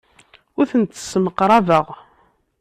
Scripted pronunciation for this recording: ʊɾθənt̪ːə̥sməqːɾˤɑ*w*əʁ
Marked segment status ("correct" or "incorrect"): incorrect